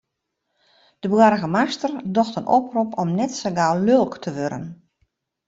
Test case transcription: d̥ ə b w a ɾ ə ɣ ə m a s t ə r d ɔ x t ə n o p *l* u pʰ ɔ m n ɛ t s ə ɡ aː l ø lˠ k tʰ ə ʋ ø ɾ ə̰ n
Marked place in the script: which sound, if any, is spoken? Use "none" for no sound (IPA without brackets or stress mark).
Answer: r